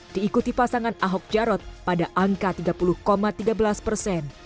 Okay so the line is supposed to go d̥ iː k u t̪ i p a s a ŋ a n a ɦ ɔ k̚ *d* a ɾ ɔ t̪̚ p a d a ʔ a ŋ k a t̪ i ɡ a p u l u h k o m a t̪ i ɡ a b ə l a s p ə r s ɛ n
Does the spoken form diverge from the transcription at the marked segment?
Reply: yes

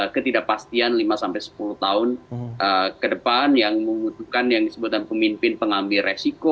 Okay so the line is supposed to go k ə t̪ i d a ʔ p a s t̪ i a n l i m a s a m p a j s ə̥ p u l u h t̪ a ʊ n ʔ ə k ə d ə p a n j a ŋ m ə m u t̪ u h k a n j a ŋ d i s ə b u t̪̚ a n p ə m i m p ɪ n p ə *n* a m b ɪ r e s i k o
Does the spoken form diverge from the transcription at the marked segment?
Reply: yes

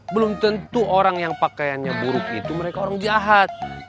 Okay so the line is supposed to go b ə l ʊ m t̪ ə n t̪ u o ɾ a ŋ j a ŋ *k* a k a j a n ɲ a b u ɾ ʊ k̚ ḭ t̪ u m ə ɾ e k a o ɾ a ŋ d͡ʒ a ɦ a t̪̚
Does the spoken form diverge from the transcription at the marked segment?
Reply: yes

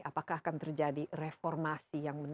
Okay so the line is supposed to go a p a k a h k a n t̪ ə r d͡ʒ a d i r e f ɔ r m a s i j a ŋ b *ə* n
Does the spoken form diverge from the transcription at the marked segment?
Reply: no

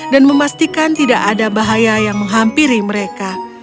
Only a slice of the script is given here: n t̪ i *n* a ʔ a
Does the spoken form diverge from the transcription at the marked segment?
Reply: yes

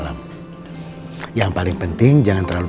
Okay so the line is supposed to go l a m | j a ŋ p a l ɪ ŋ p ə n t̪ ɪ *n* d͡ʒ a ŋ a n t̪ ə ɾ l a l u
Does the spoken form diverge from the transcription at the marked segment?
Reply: yes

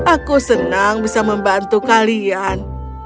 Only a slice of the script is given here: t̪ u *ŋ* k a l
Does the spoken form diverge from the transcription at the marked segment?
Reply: yes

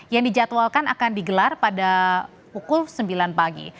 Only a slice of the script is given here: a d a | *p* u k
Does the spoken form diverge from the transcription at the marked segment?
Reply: no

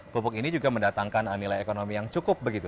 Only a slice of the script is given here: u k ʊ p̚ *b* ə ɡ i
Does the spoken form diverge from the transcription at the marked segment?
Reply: no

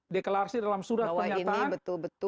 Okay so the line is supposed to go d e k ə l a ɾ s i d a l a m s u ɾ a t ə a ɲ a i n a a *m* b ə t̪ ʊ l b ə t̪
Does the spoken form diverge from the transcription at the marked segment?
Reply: yes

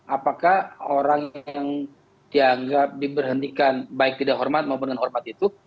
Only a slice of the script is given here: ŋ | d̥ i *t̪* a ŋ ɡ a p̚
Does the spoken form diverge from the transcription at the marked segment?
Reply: yes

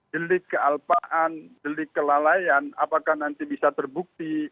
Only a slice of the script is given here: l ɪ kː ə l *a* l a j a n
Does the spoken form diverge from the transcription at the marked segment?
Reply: no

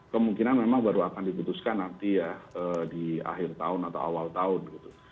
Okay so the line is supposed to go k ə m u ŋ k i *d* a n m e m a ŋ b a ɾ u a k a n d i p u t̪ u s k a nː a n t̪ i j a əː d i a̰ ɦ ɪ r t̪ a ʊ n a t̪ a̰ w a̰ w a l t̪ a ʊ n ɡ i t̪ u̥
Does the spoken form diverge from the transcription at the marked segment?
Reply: yes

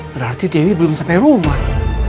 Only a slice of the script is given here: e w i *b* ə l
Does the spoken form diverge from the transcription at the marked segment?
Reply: no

